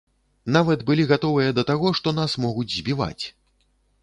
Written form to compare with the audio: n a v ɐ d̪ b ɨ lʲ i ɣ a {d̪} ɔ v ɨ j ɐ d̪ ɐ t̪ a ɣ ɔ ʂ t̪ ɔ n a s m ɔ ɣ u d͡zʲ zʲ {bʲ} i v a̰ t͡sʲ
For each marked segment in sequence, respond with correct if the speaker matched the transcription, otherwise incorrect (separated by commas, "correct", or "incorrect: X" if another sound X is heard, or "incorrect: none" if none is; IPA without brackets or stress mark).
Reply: incorrect: t̪, correct